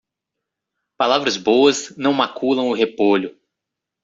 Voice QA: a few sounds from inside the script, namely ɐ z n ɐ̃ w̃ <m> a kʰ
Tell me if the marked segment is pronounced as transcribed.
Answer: yes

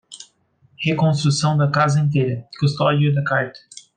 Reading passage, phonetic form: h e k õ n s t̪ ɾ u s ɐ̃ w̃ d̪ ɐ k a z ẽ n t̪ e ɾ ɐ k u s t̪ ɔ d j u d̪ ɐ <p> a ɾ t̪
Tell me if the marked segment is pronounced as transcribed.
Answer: no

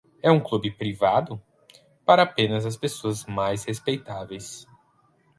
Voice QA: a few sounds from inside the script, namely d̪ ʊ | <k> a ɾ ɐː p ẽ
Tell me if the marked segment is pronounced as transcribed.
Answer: no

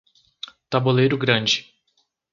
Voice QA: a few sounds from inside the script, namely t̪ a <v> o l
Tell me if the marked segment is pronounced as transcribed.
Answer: no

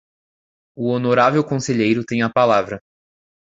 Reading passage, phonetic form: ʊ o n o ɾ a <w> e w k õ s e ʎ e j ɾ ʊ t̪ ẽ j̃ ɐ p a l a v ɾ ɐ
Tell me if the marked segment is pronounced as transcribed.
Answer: no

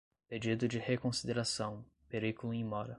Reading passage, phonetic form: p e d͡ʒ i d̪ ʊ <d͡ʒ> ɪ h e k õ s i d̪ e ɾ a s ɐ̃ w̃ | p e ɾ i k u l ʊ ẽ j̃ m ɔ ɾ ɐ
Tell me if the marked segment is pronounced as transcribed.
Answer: yes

